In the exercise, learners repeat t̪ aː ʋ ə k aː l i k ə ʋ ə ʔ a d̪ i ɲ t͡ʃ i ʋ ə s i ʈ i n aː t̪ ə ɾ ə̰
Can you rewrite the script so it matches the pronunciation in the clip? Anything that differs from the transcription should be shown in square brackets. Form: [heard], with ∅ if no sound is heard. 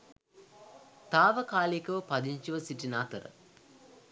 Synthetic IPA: t̪ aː ʋ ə k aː l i k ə ʋ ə [p] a d̪ i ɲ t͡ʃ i ʋ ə s i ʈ i n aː t̪ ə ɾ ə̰